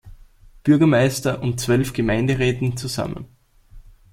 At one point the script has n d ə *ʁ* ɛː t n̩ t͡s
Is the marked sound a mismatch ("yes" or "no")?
no